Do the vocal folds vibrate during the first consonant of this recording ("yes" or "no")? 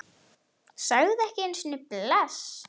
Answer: no